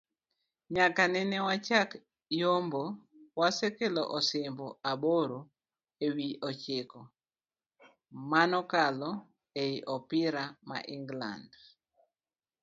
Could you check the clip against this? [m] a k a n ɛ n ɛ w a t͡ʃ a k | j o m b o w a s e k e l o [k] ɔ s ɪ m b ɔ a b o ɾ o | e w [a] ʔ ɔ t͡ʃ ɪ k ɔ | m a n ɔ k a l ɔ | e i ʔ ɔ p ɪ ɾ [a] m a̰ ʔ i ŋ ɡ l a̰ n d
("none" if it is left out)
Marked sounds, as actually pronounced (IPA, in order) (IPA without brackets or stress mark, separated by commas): ɲ, ʔ, i, a